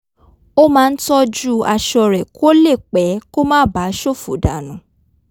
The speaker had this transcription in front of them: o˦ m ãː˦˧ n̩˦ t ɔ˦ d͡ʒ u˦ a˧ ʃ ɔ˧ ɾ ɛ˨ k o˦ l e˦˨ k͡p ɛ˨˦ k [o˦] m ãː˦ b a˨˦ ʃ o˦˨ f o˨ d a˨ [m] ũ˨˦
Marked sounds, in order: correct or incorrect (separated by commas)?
correct, incorrect